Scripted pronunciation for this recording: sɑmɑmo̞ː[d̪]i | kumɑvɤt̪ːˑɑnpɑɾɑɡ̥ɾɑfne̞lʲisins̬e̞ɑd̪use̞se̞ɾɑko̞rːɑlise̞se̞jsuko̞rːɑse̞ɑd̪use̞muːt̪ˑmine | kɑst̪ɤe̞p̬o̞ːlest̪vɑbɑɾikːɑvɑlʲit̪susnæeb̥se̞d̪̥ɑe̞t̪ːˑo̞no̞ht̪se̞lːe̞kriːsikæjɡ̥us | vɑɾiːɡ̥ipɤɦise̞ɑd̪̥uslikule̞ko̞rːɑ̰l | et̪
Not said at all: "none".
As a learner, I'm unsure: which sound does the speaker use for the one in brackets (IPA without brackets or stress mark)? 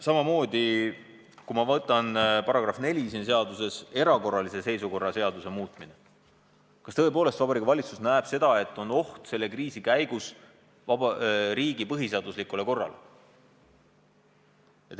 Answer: d̪